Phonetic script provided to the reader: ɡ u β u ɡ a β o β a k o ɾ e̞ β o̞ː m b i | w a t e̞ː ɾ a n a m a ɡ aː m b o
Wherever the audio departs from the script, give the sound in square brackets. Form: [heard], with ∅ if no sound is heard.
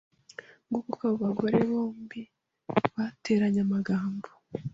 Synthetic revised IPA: ɡ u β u [k] a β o β a [ɡ] o ɾ e̞ β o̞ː m b i | [β] a t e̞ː ɾ a [ɲ] a m a ɡ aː m b o